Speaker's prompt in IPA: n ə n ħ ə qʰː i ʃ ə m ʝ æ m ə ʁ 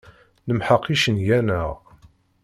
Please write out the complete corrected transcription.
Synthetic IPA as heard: n ə m ħ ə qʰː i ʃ ə n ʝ æ n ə ʁ